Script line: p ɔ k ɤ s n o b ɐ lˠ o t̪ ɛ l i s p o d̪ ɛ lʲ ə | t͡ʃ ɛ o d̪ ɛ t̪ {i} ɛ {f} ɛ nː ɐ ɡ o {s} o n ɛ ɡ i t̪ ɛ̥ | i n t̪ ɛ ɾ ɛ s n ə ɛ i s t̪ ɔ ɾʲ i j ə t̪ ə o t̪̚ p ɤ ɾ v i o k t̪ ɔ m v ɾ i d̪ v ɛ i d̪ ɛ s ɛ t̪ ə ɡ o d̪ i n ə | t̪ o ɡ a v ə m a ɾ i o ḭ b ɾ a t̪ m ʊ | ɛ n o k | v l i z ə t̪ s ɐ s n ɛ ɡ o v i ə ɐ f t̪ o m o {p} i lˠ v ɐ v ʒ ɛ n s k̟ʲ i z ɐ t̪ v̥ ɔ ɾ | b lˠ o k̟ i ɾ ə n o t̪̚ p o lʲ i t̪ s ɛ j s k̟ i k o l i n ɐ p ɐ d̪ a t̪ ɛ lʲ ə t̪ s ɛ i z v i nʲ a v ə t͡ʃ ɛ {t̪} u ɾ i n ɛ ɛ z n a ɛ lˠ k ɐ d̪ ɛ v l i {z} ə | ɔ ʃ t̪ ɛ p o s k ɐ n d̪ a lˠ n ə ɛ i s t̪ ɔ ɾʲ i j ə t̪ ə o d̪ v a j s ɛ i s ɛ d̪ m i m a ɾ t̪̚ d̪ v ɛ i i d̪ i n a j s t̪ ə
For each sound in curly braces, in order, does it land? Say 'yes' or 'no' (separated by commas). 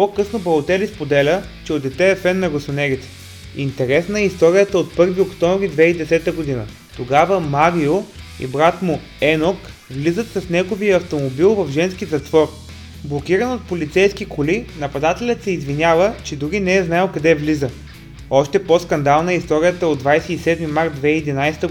no, yes, yes, no, no, yes